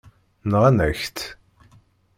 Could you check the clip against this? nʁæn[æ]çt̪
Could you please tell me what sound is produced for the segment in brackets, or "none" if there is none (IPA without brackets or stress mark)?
æ